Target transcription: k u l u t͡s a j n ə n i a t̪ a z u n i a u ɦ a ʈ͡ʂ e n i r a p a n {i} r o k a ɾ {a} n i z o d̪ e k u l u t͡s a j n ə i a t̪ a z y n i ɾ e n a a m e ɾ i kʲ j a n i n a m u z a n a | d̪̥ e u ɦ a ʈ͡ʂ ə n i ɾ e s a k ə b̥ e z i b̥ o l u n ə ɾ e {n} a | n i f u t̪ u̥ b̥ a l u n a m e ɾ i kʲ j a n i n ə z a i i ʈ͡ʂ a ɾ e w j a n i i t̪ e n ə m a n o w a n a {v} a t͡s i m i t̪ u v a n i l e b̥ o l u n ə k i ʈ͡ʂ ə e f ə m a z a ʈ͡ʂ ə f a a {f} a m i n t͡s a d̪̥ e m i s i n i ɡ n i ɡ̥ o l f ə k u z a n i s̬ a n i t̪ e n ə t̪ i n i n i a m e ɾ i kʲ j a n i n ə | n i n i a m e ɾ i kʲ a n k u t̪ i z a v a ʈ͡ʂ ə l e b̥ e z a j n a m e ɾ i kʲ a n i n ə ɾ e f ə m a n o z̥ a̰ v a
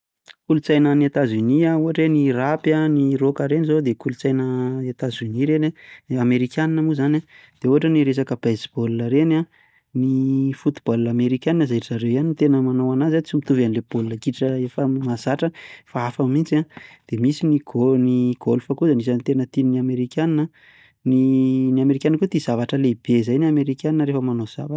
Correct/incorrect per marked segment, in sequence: correct, incorrect: e, correct, incorrect: z, correct

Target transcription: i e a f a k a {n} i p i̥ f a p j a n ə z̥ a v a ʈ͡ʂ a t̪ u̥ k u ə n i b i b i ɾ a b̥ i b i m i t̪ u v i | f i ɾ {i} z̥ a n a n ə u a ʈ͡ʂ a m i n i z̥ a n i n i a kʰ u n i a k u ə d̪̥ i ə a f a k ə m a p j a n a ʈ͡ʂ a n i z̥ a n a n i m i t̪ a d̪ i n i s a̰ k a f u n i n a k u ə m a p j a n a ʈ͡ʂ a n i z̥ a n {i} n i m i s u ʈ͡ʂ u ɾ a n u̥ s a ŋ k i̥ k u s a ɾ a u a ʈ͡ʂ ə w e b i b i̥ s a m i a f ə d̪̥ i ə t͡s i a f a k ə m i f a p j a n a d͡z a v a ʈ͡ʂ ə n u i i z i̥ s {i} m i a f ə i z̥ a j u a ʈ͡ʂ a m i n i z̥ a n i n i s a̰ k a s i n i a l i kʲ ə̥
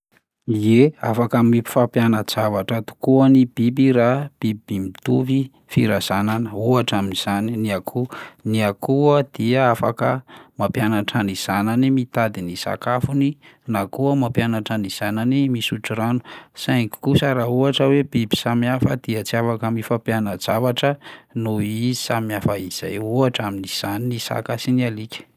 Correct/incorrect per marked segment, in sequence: incorrect: m, incorrect: a, incorrect: a, incorrect: a

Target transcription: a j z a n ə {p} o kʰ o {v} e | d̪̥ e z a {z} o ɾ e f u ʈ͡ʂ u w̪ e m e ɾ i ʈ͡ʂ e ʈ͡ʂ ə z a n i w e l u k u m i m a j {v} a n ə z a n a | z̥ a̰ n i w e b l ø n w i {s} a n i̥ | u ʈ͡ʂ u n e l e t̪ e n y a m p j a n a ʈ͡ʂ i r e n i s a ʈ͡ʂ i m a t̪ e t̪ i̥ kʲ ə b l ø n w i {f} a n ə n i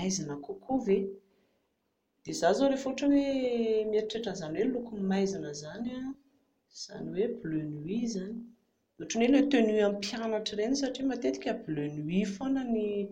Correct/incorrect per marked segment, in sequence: incorrect: k, correct, correct, incorrect: z, incorrect: z, correct

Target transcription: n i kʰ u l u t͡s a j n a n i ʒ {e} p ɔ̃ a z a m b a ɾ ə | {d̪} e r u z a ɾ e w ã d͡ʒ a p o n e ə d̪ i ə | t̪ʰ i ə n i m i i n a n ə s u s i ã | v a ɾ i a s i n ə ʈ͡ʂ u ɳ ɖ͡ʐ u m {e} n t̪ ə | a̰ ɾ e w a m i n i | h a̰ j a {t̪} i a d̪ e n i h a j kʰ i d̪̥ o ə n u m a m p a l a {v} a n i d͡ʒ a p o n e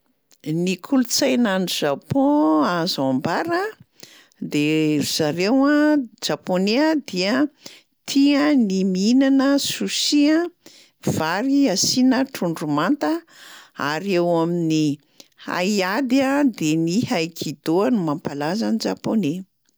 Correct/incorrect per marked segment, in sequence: incorrect: a, correct, incorrect: a, incorrect: d̪, incorrect: z

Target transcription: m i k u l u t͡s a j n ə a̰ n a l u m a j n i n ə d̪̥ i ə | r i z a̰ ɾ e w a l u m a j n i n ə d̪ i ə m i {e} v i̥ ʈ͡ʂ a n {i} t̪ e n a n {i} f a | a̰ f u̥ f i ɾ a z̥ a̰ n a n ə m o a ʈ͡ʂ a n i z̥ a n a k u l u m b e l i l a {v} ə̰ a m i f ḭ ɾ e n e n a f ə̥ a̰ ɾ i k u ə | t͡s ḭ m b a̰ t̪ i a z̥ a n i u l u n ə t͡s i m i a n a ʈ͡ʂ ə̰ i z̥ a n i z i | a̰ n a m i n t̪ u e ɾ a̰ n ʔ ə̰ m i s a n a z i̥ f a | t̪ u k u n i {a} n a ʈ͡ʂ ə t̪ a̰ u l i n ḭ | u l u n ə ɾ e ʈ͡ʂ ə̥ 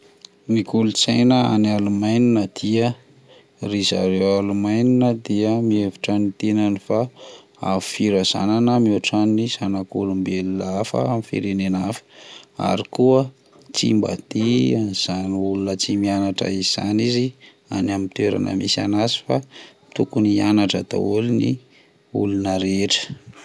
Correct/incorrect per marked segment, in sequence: correct, correct, correct, incorrect: f, correct

